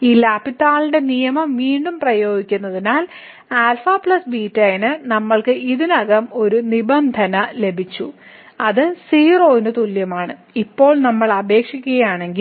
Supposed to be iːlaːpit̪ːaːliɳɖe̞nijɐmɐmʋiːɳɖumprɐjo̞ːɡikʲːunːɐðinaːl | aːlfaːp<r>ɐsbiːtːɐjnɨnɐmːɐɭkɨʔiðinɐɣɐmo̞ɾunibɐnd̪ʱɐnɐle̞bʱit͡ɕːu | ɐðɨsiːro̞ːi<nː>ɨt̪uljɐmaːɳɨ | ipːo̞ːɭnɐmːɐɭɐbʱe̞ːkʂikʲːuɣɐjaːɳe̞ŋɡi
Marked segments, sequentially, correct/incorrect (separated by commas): incorrect, incorrect